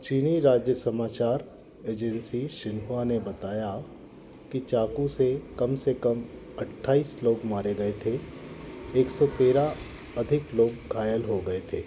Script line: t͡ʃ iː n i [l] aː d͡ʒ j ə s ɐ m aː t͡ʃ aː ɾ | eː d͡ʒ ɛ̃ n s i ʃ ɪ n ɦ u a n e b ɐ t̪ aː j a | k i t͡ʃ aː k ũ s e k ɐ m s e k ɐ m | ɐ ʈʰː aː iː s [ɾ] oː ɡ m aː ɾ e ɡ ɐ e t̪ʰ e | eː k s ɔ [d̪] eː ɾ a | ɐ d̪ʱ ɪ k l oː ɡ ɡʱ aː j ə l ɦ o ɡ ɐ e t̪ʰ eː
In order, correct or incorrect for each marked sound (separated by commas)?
incorrect, incorrect, incorrect